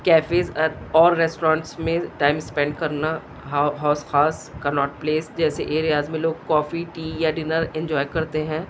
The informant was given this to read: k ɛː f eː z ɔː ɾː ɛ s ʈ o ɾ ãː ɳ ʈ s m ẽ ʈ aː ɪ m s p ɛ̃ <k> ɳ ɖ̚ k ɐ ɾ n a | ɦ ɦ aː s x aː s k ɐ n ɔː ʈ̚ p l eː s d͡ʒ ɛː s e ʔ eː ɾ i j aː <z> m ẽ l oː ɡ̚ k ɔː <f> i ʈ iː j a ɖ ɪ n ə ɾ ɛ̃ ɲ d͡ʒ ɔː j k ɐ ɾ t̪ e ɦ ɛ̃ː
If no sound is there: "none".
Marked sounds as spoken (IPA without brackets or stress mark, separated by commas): none, z, f